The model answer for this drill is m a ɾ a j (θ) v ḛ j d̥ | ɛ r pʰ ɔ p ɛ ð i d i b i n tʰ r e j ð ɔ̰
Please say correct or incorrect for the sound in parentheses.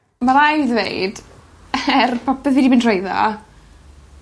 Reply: incorrect